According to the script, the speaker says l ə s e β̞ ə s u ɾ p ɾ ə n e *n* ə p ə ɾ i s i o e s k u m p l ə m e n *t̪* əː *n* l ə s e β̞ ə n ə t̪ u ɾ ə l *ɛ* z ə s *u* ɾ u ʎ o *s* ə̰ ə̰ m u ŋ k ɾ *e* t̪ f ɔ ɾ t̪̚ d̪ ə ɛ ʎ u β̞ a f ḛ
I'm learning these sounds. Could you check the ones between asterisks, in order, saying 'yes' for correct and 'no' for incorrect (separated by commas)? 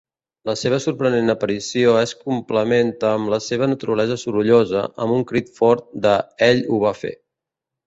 yes, yes, no, yes, yes, no, no